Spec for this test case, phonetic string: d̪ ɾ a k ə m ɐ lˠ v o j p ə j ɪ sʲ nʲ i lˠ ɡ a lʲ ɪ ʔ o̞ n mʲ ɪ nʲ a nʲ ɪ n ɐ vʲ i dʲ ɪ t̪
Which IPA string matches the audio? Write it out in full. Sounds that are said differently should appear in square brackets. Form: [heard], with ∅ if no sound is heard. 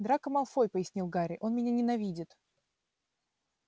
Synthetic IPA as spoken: d̪ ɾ a k ə m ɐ lˠ [f] o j p ə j ɪ sʲ nʲ i lˠ ɡ a [ɾʲ] ɪ ʔ o̞ n mʲ ɪ nʲ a nʲ ɪ n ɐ vʲ i dʲ ɪ t̪